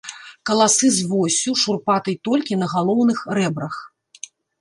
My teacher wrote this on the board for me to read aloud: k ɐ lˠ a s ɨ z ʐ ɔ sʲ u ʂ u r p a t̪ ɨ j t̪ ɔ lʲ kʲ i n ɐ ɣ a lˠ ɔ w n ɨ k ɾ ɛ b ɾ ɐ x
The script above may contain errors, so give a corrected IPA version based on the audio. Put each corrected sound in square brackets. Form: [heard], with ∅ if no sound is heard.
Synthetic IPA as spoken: k ɐ lˠ a s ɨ z [v] ɔ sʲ u ʂ u r p a t̪ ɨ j t̪ ɔ lʲ kʲ i n ɐ ɣ a lˠ ɔ w n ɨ [x] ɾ ɛ b ɾ ɐ x